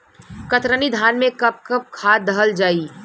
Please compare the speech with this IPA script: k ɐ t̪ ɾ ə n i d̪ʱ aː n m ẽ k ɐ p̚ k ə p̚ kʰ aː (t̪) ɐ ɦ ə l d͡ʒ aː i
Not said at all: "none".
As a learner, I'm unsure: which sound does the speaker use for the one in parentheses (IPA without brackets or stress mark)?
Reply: d̪